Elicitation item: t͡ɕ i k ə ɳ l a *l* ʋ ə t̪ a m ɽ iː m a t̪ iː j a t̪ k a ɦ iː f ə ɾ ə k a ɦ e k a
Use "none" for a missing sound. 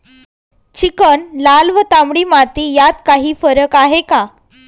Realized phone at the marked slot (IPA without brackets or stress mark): l